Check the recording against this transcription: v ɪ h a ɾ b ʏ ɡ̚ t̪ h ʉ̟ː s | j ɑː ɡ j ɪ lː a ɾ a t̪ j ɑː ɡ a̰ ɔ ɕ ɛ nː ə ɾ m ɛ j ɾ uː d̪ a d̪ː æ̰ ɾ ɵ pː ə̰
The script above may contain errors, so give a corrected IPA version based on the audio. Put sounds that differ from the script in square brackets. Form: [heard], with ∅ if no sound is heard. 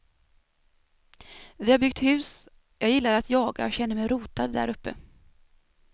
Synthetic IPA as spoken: v ɪ h a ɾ b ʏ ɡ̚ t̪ h ʉ̟ː s | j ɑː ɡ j ɪ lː a ɾ a t̪ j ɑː ɡ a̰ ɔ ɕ ɛ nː ə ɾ m ɛ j ɾ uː [t̪] a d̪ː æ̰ ɾ ɵ pː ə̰